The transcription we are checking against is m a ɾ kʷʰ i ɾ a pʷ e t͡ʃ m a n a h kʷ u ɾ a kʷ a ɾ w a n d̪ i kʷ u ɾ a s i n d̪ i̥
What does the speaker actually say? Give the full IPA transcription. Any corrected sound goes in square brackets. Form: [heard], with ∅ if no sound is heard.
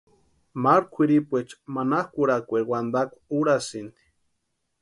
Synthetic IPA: m a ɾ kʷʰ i ɾ [i] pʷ e t͡ʃ m a n a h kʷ u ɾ a kʷ [e] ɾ w a n d̪ [a] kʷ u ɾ a s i n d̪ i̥